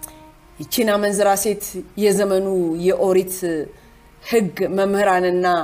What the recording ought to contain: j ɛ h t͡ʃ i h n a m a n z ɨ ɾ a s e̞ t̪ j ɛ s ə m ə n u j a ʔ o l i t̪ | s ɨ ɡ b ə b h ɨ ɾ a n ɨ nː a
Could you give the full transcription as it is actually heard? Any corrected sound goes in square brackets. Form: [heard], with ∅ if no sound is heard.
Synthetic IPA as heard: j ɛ [∅] t͡ʃ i [∅] n a m [ə] n z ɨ ɾ a s e̞ t̪ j ɛ [z] ə m ə n u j [ɛ] ʔ o [ɾ] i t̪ | [h] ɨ ɡ [m] ə [m] h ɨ ɾ a n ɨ nː a